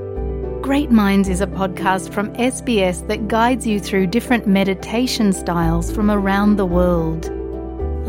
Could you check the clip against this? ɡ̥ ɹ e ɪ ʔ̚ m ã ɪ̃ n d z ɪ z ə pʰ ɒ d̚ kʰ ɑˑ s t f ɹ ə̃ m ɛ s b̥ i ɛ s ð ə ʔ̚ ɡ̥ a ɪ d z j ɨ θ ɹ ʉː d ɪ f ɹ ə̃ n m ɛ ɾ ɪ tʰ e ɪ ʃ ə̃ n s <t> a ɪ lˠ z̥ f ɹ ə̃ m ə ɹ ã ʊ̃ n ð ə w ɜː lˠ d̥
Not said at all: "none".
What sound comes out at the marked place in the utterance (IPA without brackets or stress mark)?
t